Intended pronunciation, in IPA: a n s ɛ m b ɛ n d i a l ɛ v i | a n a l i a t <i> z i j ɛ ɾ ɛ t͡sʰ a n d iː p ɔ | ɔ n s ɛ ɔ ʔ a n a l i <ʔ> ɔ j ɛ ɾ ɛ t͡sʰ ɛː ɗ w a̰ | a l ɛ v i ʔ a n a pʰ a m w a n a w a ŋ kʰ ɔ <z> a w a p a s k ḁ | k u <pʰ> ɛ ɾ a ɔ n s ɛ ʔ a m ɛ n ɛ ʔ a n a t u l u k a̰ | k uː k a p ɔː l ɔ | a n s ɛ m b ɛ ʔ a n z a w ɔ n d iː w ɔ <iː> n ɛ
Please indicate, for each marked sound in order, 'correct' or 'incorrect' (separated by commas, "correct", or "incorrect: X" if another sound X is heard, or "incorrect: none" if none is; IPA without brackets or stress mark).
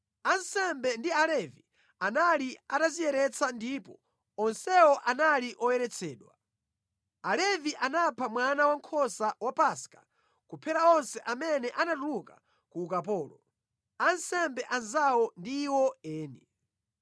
incorrect: a, correct, incorrect: s, correct, incorrect: ɛː